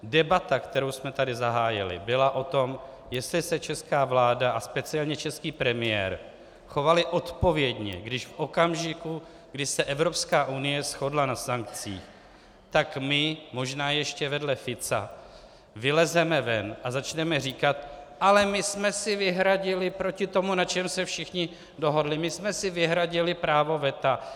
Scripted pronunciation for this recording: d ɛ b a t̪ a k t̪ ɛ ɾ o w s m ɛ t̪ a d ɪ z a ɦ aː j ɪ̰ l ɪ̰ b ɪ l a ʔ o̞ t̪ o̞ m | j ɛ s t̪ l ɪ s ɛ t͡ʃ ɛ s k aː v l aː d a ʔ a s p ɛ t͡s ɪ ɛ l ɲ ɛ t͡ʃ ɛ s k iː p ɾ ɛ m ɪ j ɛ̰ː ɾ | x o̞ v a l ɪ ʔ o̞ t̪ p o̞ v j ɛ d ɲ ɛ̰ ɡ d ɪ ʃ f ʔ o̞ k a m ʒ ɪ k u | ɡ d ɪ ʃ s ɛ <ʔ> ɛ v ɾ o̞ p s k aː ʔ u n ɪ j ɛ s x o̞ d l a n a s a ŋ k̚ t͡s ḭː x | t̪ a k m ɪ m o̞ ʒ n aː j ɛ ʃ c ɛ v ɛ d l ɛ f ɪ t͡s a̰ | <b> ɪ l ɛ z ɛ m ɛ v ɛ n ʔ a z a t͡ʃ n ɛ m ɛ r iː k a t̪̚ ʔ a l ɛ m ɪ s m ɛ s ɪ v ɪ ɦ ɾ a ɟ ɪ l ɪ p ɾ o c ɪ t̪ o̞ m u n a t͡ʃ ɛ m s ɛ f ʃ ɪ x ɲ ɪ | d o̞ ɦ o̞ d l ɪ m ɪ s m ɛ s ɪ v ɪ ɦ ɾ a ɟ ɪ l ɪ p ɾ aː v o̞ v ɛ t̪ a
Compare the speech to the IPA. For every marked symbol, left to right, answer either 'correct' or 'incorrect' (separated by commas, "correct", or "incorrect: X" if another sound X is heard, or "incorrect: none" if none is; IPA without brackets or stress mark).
correct, incorrect: v